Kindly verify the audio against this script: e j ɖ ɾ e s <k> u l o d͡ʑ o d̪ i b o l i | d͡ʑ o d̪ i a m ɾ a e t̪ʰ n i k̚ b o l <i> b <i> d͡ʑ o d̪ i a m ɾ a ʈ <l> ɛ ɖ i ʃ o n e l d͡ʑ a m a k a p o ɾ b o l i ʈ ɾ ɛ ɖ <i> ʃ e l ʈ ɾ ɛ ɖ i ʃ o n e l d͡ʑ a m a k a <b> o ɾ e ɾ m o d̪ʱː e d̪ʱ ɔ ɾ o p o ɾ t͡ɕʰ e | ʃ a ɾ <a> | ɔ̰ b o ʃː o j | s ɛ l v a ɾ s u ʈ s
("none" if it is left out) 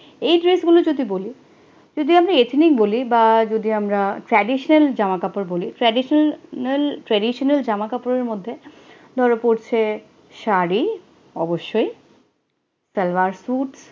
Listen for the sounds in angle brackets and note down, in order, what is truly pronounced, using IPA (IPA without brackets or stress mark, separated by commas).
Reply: ɡ, i, a, ɾ, i, p, i